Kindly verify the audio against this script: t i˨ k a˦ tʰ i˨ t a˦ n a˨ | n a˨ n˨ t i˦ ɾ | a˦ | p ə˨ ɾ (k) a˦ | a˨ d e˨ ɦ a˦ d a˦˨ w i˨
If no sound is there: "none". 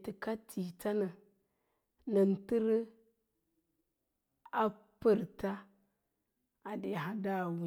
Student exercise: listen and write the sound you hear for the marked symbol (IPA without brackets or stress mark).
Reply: t